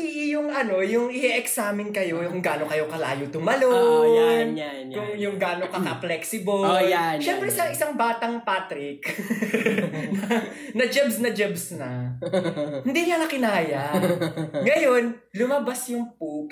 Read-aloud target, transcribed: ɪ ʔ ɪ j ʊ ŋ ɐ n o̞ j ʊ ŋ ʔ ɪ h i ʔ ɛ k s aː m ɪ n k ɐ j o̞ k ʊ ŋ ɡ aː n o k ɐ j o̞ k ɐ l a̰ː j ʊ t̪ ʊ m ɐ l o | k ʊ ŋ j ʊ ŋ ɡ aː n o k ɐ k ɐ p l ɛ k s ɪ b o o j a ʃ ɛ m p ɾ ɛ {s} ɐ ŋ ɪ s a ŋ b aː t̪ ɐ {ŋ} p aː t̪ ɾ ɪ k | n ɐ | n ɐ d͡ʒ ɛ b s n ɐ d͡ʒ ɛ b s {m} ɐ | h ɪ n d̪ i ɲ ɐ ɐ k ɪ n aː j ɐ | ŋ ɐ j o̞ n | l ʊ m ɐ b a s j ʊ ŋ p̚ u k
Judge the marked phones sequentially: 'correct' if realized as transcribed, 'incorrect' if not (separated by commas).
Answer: correct, correct, incorrect